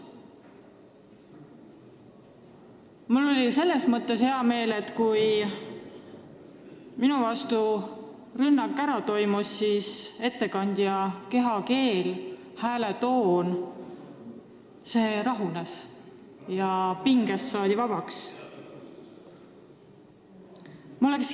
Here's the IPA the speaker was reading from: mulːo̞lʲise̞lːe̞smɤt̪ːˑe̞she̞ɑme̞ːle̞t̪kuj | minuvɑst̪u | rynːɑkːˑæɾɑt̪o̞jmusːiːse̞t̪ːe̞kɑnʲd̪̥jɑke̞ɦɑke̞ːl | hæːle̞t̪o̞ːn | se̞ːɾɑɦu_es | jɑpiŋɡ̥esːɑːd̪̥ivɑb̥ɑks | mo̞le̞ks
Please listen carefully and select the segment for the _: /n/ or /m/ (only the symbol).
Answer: n